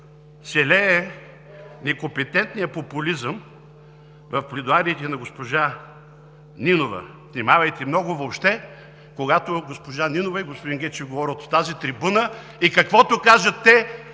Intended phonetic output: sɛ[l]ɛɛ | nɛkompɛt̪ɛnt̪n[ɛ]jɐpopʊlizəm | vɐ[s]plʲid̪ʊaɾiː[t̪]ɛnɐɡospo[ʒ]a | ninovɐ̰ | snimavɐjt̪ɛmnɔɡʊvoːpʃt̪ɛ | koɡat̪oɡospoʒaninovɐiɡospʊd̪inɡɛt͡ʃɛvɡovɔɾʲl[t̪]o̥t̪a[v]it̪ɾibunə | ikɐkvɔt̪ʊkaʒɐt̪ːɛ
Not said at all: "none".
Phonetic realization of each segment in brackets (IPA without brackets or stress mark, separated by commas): l, i, f, t̪, ʒ, t̪, z